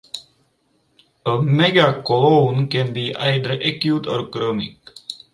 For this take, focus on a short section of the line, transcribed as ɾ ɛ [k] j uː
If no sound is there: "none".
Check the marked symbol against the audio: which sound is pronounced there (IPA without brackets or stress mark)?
k